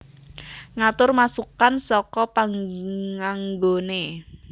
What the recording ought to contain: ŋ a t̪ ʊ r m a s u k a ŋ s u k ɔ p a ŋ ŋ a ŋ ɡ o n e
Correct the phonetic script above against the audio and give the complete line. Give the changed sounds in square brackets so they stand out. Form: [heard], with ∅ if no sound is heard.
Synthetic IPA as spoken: ŋ a t̪ ʊ r m a s u k a [n] s [ɔ] k ɔ p a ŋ ŋ a ŋ ɡ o n e